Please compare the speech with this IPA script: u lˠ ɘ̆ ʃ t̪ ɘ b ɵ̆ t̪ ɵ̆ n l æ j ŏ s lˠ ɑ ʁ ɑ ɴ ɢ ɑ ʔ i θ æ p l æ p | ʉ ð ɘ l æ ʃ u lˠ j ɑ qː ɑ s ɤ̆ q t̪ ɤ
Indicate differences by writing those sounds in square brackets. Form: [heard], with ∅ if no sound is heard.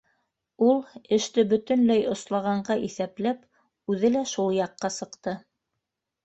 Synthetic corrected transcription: u lˠ ɘ̆ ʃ t̪ ɘ b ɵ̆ t̪ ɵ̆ n l æ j ŏ s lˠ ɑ ʁ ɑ ɴ ɢ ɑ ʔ i θ æ p l æ p | ʉ ð ɘ l æ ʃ u lˠ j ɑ qː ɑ s ɤ̆ q t̪ ɤ